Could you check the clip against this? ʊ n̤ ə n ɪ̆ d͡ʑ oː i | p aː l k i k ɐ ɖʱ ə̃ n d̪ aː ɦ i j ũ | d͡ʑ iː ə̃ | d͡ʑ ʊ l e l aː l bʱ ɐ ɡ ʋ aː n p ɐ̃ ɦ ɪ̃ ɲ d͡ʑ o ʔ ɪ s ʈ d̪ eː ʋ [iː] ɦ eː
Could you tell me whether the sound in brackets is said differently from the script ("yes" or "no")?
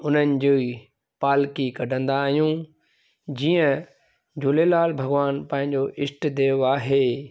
yes